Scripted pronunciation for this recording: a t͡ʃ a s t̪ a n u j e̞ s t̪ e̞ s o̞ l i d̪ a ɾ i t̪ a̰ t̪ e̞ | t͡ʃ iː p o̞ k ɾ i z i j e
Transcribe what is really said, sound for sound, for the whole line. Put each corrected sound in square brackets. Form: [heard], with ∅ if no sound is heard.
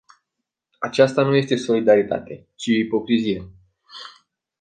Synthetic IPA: a t͡ʃ a s t̪ a n u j e̞ s t̪ e̞ s o̞ l i d̪ a ɾ i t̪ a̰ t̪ e̞ | t͡ʃ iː p o̞ k ɾ i z i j e